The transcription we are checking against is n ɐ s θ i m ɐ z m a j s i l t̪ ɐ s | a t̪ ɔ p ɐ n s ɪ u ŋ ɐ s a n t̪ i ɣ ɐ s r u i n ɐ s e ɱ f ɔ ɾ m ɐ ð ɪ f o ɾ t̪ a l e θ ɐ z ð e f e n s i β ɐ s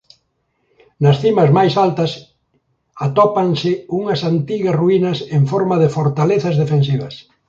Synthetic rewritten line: n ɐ s θ i m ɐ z m a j s a l t̪ ɐ s | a t̪ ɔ p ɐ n s ɪ u ŋ ɐ s a n t̪ i ɣ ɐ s r u i n ɐ s e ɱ f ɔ ɾ m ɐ ð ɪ f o ɾ t̪ a l e θ ɐ z ð e f e n s i β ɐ s